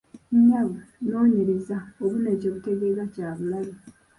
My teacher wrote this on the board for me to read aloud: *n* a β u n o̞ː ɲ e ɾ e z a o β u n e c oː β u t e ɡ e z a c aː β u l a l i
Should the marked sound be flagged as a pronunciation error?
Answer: yes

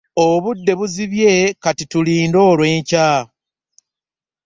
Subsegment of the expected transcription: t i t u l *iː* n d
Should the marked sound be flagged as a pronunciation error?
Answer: no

